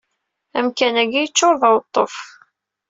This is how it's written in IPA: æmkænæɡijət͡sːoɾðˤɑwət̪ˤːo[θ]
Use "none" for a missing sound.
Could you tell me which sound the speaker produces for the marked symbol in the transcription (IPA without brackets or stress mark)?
f